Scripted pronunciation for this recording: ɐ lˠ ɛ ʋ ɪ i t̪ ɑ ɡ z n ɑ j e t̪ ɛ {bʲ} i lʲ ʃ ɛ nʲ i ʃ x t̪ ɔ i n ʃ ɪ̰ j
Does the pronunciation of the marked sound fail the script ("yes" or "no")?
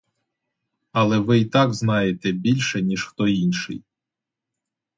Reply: no